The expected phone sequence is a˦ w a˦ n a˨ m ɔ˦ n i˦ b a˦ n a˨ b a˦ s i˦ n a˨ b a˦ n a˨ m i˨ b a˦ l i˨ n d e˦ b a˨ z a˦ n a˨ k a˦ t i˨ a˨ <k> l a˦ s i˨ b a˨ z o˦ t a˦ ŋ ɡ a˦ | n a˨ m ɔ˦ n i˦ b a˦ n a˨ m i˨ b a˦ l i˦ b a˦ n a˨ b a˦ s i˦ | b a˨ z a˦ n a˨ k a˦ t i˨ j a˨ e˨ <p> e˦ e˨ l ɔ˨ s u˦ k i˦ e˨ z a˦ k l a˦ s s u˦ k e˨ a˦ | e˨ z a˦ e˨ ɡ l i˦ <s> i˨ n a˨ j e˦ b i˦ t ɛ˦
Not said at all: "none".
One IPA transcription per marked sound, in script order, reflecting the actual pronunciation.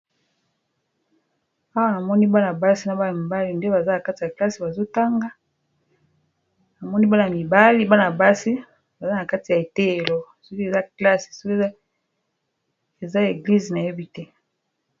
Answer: k, t, z

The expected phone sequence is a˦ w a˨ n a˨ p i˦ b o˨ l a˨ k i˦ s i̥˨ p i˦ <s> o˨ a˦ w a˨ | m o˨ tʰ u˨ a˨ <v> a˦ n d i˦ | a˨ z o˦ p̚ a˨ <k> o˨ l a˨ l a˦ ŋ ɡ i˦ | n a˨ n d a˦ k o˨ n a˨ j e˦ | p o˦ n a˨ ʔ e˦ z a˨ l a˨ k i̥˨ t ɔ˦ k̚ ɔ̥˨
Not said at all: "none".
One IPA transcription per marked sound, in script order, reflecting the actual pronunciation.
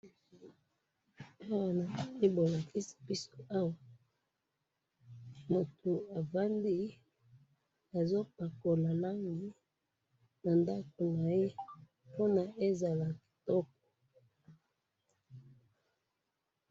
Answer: s, v, k

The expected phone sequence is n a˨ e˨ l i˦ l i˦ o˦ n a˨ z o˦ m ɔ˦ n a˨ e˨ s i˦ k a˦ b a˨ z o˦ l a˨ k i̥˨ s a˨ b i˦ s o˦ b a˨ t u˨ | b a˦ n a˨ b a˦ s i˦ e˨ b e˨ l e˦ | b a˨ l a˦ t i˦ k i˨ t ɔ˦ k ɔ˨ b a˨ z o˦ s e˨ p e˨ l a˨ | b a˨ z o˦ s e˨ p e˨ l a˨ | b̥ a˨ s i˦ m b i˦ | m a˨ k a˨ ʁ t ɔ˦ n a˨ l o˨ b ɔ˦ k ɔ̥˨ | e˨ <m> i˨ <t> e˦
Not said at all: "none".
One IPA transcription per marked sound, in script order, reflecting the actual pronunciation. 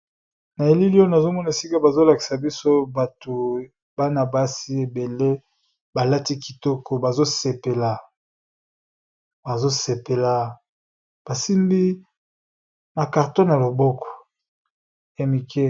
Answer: m, k

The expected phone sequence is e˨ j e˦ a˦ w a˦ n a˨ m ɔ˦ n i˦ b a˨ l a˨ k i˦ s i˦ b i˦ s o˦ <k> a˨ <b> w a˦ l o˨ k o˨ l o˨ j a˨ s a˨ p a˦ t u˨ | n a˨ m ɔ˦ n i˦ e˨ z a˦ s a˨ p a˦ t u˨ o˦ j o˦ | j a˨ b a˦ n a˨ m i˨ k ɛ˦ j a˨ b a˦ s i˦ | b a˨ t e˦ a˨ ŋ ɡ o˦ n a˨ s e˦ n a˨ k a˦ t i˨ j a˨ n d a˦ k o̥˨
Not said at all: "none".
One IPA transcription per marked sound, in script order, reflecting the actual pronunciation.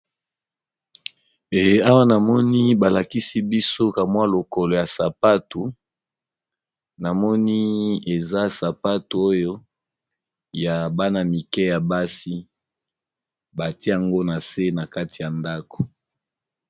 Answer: k, m

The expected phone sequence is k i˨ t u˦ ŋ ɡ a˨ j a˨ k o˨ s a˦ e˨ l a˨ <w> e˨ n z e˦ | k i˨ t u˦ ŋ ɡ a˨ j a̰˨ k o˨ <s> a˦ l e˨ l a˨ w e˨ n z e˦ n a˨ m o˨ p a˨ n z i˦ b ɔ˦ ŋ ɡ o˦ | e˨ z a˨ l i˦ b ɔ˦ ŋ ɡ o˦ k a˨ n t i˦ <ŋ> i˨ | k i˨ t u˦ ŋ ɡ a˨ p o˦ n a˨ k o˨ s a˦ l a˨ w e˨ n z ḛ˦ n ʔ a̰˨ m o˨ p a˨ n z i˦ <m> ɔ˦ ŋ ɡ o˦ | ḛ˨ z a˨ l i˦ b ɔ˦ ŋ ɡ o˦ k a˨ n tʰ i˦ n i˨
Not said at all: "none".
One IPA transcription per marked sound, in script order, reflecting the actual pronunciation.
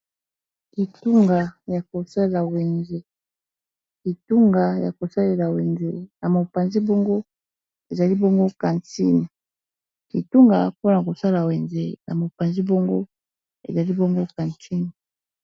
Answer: w, s, n, b

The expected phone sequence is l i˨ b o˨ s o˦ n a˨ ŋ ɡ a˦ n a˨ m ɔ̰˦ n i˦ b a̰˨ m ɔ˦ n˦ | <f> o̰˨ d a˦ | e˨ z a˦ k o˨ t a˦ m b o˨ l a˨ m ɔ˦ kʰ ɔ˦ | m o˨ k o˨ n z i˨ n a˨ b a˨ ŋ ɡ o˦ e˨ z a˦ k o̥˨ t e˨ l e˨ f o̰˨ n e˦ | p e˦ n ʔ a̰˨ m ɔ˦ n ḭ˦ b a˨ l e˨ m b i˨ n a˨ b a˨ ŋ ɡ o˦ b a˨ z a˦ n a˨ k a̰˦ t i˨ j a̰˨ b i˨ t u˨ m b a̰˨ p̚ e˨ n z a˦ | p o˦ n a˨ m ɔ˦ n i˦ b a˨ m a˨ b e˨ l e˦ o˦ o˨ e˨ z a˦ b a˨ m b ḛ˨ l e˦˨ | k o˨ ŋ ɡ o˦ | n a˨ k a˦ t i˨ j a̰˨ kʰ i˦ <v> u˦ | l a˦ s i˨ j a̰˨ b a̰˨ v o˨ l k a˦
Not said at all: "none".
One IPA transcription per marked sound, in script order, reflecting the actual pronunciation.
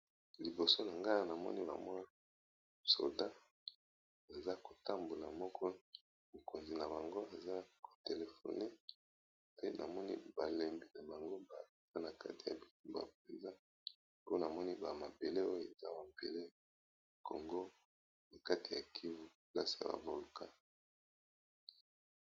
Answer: s, v

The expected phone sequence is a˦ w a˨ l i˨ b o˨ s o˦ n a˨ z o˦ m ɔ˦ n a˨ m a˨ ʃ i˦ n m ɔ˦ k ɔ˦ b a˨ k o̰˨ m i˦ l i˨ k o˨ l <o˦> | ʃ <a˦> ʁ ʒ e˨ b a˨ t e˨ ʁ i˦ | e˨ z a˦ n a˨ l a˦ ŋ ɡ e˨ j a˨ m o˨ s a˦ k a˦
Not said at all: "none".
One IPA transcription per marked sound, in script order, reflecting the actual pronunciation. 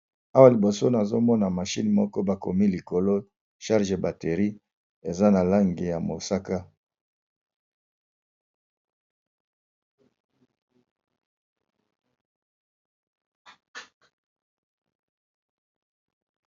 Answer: o˦, a˦

